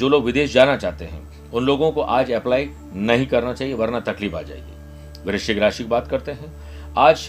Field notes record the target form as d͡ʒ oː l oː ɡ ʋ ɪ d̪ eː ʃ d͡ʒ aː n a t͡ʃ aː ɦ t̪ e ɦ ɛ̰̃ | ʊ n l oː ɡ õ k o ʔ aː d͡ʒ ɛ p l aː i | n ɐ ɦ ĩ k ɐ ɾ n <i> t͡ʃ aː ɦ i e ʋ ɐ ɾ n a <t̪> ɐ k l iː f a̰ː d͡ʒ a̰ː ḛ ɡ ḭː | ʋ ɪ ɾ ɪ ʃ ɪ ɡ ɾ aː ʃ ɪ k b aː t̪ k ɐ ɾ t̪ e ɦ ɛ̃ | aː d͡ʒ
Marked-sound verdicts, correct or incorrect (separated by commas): incorrect, correct